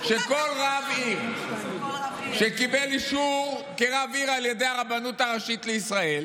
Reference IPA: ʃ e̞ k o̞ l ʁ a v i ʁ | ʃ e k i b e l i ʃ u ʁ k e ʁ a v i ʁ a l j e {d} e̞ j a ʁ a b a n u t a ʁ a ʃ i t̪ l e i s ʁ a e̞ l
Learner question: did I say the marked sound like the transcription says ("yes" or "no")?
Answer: yes